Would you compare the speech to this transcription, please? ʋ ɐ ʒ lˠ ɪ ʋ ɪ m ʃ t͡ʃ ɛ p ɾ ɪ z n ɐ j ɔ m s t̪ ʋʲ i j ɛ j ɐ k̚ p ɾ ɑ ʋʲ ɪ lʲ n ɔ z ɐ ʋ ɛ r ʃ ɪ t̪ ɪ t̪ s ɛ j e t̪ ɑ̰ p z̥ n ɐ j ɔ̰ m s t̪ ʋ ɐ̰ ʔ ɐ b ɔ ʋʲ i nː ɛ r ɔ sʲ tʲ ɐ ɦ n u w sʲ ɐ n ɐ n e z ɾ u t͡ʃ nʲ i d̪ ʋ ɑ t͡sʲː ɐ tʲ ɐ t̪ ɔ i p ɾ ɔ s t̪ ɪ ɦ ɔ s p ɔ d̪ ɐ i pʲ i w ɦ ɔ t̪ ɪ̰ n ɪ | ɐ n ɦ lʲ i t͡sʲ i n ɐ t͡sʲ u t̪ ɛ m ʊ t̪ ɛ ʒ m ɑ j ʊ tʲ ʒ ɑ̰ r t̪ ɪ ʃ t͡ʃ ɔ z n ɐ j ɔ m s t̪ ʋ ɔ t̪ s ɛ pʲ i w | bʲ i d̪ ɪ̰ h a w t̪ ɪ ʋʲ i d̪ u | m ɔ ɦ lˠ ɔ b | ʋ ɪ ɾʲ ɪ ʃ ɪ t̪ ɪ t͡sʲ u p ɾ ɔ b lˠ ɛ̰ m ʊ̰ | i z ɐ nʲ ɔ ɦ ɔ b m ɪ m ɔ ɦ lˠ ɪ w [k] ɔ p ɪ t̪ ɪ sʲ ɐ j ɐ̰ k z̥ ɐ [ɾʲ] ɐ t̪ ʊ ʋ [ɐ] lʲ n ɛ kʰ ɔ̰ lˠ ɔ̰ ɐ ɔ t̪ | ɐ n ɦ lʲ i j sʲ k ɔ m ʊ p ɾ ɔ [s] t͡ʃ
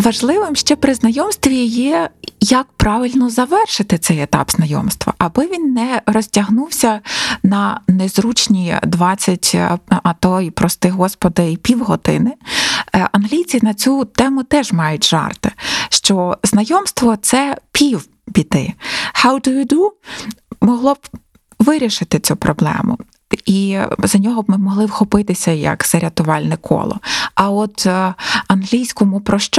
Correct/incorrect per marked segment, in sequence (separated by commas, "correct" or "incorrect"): incorrect, correct, incorrect, incorrect